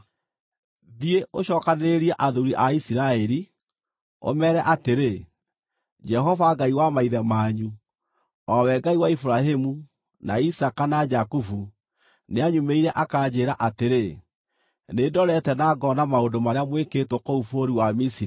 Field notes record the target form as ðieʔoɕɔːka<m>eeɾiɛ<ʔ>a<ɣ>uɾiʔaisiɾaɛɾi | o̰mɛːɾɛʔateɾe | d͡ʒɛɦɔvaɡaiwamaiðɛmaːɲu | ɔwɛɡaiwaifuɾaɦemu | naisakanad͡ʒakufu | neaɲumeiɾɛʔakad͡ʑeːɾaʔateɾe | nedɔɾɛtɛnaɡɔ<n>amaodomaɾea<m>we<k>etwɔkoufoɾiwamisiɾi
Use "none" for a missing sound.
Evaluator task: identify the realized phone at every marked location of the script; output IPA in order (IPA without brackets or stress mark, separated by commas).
n, ʔ, ð, n, m, k